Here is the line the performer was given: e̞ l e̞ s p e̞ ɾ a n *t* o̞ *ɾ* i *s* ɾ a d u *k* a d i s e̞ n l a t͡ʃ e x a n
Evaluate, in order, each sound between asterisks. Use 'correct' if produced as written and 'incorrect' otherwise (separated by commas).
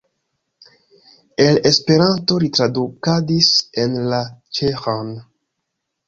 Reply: correct, correct, incorrect, correct